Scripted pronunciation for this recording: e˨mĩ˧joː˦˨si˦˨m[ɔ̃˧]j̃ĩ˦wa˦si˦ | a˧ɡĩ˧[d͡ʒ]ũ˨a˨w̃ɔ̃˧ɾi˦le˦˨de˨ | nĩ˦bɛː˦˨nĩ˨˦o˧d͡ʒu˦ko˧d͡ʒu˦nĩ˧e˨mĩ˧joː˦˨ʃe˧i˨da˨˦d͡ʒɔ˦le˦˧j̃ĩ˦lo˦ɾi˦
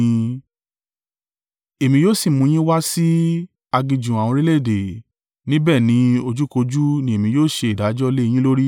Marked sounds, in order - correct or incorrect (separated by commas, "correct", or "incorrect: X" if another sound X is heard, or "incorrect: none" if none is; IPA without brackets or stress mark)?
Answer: incorrect: ũ˧, correct